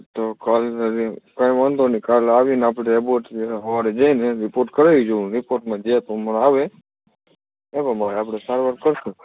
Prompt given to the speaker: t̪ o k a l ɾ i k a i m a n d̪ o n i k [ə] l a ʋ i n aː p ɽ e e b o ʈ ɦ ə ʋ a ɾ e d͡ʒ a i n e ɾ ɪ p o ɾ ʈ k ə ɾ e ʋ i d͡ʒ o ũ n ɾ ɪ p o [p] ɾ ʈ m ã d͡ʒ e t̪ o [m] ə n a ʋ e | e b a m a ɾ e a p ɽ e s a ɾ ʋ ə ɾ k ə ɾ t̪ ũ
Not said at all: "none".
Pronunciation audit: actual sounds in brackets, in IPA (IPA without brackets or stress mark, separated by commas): a, none, m